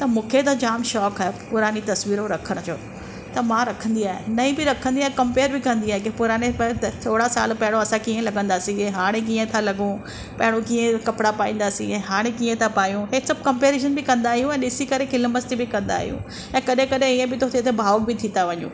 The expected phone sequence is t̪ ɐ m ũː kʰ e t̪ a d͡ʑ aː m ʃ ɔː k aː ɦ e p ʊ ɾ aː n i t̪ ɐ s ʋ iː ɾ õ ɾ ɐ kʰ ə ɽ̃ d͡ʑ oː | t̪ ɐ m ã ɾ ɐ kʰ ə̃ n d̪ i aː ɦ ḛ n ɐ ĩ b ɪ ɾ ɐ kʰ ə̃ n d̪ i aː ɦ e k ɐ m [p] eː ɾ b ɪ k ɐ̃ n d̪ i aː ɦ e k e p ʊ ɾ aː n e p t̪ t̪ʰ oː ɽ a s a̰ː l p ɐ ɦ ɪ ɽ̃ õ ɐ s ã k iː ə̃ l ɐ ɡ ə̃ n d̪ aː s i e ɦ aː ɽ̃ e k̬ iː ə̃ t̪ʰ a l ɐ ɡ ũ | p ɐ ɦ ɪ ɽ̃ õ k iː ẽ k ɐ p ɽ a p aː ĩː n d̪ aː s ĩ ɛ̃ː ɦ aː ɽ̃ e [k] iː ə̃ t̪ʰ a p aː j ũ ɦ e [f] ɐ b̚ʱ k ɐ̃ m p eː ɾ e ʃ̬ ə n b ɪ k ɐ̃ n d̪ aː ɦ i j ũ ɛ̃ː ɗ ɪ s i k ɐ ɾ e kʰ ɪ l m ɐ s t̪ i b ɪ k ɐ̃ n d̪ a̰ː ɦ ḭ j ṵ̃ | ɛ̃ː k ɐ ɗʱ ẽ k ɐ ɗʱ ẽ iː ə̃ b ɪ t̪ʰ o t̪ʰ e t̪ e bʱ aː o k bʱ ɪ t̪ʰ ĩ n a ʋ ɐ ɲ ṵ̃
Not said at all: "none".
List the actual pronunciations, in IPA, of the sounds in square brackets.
p, k, s

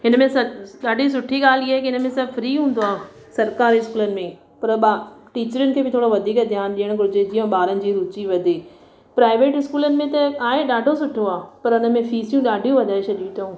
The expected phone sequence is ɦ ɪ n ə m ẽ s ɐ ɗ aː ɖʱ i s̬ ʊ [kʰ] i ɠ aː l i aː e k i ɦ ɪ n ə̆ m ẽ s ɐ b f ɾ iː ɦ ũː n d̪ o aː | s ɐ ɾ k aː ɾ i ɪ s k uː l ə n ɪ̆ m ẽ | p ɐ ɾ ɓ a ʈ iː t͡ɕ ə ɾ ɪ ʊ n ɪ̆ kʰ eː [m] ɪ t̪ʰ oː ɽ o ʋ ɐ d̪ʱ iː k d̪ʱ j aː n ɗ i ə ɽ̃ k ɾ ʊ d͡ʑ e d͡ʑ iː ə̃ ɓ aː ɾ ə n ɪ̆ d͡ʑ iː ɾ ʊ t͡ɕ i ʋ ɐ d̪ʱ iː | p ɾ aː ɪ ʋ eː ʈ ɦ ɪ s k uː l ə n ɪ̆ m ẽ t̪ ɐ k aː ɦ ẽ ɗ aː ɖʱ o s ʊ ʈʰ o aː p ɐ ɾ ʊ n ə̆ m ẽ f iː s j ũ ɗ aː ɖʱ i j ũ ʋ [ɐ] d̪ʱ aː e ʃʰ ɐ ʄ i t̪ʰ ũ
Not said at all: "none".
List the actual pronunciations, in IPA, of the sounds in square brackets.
ʈʰ, b, ɐ

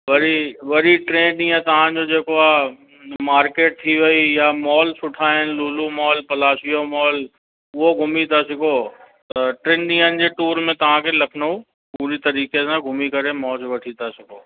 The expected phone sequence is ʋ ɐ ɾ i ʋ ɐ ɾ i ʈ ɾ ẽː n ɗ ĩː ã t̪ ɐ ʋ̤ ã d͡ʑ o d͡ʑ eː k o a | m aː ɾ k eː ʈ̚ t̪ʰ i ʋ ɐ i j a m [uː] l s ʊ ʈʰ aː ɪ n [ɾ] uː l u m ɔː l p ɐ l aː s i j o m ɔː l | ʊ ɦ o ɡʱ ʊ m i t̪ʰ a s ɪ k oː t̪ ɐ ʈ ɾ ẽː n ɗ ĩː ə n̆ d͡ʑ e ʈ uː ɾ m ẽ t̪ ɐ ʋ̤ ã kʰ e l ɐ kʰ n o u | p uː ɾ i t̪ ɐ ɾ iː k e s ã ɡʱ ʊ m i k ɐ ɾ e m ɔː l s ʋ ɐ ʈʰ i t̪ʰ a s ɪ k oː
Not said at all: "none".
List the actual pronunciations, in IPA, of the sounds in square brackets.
ɔː, l

